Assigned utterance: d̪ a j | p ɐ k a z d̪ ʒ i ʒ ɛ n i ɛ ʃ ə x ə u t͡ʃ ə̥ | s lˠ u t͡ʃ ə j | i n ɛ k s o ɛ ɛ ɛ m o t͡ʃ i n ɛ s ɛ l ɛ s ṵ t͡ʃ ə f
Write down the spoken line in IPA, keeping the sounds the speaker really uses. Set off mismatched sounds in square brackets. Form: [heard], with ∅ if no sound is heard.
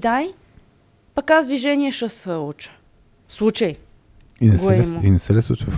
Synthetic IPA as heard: d̪ a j | p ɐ k a z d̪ [v] i ʒ ɛ n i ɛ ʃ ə [s] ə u t͡ʃ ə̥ | s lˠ u t͡ʃ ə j | i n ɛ [ɡ] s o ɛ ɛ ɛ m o [∅] i n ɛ s ɛ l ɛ s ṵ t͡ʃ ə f